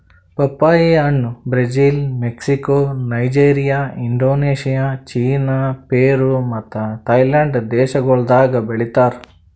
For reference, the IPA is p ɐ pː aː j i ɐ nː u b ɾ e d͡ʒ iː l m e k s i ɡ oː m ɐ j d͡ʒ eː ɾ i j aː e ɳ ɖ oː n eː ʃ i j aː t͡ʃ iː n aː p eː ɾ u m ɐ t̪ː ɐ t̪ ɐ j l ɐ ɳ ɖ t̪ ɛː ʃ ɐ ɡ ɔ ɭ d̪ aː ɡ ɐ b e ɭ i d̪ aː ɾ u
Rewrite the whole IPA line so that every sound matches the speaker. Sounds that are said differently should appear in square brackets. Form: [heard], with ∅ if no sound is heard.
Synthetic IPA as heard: p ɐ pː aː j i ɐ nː u b ɾ e d͡ʒ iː l m e k s i [k] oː [n] ɐ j d͡ʒ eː ɾ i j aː [i] ɳ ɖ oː n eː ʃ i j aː t͡ʃ iː n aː p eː ɾ u m ɐ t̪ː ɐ t̪ ɐ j l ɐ ɳ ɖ [d̪] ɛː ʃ ɐ ɡ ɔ ɭ d̪ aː ɡ ɐ b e ɭ i [t̪] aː ɾ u